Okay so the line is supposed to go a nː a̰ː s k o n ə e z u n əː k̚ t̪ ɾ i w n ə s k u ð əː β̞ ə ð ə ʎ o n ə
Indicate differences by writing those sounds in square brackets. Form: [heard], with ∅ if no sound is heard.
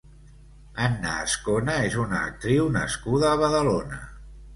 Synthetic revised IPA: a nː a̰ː s k o n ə e z u n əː k̚ t̪ ɾ i w n ə s k u ð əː β̞ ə ð ə [l] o n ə